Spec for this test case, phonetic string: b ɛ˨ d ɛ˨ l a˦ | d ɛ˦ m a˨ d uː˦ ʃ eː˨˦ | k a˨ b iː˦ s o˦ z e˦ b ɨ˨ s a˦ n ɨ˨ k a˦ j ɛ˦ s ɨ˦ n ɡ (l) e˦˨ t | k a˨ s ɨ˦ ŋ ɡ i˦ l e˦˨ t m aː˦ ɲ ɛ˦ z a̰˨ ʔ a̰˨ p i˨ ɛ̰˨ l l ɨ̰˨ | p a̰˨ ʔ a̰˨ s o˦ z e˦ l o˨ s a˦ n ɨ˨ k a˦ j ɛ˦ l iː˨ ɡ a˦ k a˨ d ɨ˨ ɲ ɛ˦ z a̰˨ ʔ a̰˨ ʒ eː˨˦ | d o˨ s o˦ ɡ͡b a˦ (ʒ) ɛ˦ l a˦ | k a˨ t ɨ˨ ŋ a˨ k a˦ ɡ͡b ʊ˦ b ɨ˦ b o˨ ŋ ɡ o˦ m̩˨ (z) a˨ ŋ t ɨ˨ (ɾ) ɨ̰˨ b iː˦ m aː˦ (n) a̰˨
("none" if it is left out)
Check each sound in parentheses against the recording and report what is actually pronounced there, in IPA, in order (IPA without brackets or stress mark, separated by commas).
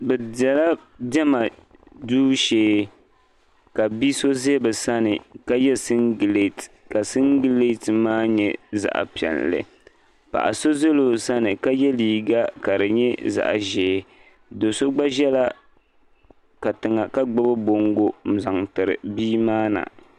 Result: l, ʒ, z, ɾ, n